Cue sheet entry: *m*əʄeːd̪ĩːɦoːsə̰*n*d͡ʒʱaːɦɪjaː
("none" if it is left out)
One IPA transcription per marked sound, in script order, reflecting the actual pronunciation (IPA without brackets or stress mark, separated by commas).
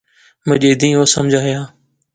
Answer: m, m